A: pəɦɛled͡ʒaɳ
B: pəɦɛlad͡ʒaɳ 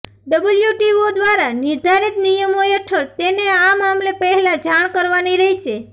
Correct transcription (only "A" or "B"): B